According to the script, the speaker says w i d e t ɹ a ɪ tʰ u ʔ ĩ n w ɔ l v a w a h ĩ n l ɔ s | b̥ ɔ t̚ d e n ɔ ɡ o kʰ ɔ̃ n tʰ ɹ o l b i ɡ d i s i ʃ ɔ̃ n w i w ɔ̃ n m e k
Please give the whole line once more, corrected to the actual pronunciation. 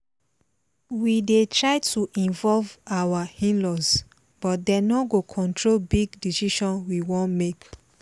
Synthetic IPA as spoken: w i d e t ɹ a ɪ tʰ u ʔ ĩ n v ɔ l v a w a h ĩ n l ɔ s | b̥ ɔ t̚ d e n ɔ ɡ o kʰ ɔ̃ n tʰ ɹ o l b i ɡ d i s i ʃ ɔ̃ n w i w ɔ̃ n m e k